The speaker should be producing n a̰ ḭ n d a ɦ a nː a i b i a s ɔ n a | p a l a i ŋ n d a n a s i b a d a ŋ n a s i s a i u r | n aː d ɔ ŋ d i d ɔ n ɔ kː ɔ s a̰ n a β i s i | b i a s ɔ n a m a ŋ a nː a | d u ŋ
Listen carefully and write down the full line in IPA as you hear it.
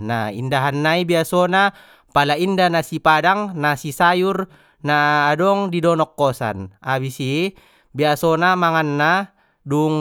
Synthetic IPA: n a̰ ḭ n d a ɦ a nː a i b i a s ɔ n a | p a l a i n d a n a s i p a d a ŋ n a s i s a j u r | n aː d ɔ ŋ d i d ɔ n ɔ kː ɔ s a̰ n a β i s i | b i a s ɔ n a m a ŋ a nː a | d u ŋ